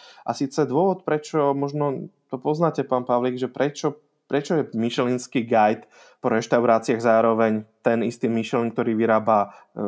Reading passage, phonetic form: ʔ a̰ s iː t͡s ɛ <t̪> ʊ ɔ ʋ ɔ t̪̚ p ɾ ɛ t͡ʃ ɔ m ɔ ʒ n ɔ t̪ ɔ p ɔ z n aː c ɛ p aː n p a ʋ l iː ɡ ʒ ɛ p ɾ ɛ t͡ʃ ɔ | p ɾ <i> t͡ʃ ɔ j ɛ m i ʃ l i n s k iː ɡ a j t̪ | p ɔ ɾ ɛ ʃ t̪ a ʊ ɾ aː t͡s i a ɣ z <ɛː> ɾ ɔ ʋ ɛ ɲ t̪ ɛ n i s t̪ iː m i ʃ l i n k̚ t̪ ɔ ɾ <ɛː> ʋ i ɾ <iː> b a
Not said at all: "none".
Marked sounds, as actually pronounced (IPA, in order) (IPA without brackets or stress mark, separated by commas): d̪, ɛ, aː, iː, aː